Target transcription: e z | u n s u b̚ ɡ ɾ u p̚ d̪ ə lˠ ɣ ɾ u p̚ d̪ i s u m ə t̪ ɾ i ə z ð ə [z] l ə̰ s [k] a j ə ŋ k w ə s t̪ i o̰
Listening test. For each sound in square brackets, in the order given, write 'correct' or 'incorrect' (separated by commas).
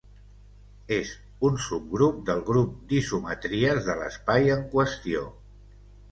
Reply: incorrect, incorrect